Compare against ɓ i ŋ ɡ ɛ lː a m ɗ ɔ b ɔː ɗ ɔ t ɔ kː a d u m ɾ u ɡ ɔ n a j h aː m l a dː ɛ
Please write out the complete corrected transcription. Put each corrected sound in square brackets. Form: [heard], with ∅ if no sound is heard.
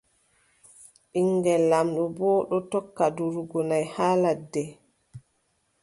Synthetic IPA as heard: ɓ i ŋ ɡ ɛ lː a m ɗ ɔ b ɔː ɗ ɔ t ɔ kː a d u [∅] ɾ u ɡ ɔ n a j h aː [∅] l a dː ɛ